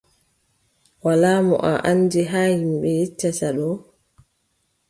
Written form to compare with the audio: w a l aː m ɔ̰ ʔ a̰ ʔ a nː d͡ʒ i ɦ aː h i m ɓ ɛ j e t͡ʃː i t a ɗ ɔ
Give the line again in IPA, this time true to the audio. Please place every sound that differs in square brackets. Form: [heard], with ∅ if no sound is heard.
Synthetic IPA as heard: w a l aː m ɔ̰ ʔ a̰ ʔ a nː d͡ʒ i ɦ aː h i m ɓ ɛ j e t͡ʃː [a] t a ɗ ɔ